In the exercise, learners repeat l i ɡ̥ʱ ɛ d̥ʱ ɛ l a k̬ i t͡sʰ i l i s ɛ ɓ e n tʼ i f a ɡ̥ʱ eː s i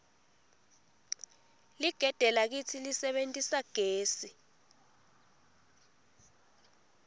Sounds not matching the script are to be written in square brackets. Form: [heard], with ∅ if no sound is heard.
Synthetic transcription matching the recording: l i ɡ̥ʱ ɛ d̥ʱ ɛ l a k̬ i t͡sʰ i l i s ɛ ɓ e n tʼ i [s] a ɡ̥ʱ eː s i